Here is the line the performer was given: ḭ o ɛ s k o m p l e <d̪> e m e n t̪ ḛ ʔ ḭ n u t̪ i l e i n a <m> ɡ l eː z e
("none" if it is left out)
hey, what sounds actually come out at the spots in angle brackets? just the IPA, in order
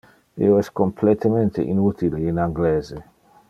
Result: t̪, ŋ

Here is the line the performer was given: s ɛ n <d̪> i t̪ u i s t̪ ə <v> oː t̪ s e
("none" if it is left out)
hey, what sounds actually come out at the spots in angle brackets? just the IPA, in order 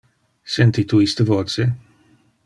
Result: t̪, v

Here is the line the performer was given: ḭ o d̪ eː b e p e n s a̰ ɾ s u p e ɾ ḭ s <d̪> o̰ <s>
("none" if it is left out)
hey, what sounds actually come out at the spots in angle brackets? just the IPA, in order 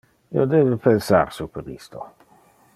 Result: t̪, none

